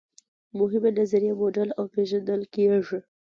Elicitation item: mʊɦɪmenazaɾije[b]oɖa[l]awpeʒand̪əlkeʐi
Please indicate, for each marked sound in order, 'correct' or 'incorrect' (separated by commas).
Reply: incorrect, correct